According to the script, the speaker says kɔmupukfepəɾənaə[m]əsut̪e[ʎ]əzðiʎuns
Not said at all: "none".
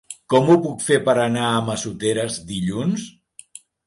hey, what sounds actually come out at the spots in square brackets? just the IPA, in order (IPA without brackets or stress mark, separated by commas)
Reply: m, ɾ